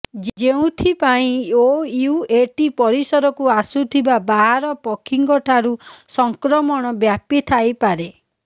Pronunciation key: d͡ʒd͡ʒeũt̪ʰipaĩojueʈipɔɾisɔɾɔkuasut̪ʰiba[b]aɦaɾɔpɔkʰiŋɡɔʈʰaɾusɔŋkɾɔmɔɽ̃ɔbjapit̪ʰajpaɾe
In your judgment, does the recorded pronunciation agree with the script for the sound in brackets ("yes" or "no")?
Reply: yes